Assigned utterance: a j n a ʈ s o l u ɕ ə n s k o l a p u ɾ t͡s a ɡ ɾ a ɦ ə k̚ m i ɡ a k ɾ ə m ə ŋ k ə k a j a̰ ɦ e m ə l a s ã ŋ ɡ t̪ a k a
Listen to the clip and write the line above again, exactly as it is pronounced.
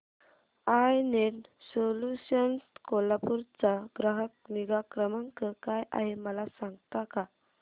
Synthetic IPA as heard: a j n e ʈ s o l u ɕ ə n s k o l a p u ɾ t͡s a ɡ ɾ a ɦ ə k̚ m i ɡ a k ɾ ə m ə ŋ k ə k a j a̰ ɦ e m ə l a s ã ŋ ɡ t̪ a k a